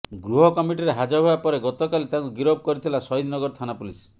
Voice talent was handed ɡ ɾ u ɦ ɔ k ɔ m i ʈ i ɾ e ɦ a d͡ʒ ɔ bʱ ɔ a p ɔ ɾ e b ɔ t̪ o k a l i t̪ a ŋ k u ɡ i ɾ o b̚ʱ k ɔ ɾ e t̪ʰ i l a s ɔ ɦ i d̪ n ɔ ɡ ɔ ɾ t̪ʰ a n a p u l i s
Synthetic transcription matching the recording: ɡ ɾ u ɦ ɔ k ɔ m i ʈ i ɾ e ɦ a d͡ʒ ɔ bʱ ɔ a p ɔ ɾ e ɡ ɔ t̪ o k a l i t̪ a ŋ k u ɡ i ɾ o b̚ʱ k ɔ ɾ i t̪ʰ i l a s ɔ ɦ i d̪ n ɔ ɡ ɔ ɾ t̪ʰ a n a p u l i s

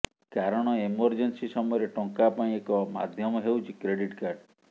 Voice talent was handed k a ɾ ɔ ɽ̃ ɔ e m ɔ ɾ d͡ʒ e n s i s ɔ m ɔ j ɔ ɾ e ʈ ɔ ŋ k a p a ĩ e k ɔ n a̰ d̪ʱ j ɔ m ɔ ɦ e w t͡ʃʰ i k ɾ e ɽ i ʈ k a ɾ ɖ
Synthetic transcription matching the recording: k a ɾ ɔ ɽ̃ ɔ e m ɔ ɾ d͡ʒ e n s i s ɔ m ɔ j ɔ ɾ e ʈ ɔ ŋ k a p a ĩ e k ɔ m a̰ d̪ʱ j ɔ m ɔ ɦ e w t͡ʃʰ i k ɾ e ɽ i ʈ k a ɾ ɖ

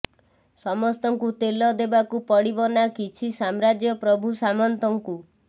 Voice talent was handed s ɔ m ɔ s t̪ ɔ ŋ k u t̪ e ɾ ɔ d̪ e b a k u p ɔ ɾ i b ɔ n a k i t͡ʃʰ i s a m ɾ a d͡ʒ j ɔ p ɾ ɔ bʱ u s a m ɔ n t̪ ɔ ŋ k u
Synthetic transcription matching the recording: s ɔ m ɔ s t̪ ɔ ŋ k u t̪ e l ɔ d̪ e b a k u p ɔ ɽ i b ɔ n a k i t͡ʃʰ i s a m ɾ a d͡ʒ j ɔ p ɾ ɔ bʱ u s a m ɔ n t̪ ɔ ŋ k u

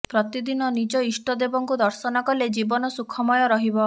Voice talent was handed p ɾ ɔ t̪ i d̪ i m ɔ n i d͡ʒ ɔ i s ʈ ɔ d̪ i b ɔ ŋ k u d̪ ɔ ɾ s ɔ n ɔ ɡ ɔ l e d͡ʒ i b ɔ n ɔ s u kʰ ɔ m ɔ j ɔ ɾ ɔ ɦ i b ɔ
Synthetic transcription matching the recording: p ɾ ɔ t̪ i d̪ i n ɔ n i d͡ʒ ɔ i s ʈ ɔ d̪ e b ɔ ŋ k u d̪ ɔ ɾ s ɔ n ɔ k ɔ l e d͡ʒ i b ɔ n ɔ s u kʰ ɔ m ɔ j ɔ ɾ ɔ ɦ i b ɔ

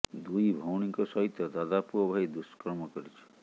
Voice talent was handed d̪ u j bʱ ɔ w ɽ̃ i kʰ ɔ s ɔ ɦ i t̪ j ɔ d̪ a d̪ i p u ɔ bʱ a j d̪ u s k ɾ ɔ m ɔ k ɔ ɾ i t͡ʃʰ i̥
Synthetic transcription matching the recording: d̪ u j bʱ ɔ w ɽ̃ i k ɔ s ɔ ɦ i t̪ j ɔ d̪ a d̪ a p u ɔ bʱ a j d̪ u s k ɾ ɔ m ɔ k ɔ ɾ i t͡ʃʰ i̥

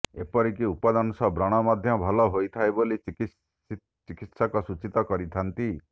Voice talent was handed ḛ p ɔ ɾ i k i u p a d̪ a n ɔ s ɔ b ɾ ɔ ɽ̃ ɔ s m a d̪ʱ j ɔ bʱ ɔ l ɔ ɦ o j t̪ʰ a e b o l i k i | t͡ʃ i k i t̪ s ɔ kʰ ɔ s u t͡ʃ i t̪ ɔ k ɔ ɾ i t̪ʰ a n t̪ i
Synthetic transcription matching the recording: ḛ p ɔ ɾ i k i u p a d̪ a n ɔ s ɔ b ɾ ɔ ɽ̃ ɔ m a d̪ʱ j ɔ bʱ ɔ l ɔ ɦ o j t̪ʰ a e b o l i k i | t͡ʃ i k i t̪ s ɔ k ɔ s u t͡ʃ i t̪ ɔ k ɔ ɾ i t̪ʰ a n t̪ i

